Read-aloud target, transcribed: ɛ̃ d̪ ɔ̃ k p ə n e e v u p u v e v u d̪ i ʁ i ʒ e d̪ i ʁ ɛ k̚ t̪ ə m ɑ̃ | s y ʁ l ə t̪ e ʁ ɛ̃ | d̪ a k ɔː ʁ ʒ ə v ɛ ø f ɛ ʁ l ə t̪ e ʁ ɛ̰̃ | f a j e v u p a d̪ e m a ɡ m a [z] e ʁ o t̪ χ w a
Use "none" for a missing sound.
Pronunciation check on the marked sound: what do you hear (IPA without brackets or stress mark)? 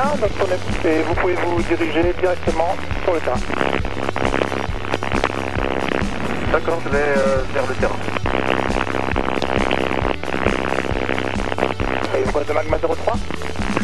z